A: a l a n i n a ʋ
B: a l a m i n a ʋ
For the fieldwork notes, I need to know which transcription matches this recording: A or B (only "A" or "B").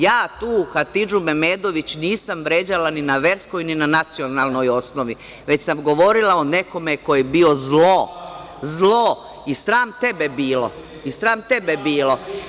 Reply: A